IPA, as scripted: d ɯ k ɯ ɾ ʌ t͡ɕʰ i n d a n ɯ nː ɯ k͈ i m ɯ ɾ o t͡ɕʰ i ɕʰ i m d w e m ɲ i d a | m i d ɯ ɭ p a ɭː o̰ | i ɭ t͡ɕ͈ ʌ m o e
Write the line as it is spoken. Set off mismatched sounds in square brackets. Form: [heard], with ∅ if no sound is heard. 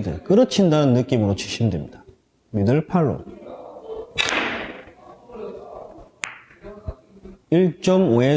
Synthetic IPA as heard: d ɯ k ɯ ɾ ʌ t͡ɕʰ i n d a n ɯ nː ɯ k͈ i m ɯ ɾ o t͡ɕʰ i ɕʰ i m d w e m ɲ i d a | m i d ɯ ɭ [pʰ] a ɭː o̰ | i ɭ t͡ɕ͈ ʌ m o e